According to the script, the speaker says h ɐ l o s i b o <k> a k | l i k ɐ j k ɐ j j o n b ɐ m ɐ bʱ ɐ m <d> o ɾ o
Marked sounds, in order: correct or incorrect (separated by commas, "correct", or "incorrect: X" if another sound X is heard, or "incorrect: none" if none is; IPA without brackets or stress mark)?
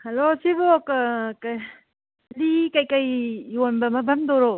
correct, correct